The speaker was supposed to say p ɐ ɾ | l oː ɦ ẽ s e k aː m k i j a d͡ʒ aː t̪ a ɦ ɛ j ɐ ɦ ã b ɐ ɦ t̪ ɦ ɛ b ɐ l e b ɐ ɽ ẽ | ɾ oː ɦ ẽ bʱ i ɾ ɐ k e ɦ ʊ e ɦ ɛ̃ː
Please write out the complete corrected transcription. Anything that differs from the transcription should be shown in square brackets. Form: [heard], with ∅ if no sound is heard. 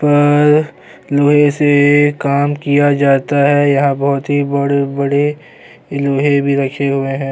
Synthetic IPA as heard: p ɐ ɾ | l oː ɦ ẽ s e k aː m k i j a d͡ʒ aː t̪ a ɦ ɛ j ɐ ɦ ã b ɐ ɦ t̪ ɦ [i] b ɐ [ɽ] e b ɐ ɽ [e] | [l] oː ɦ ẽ bʱ i ɾ ɐ [kʰ] e ɦ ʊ e ɦ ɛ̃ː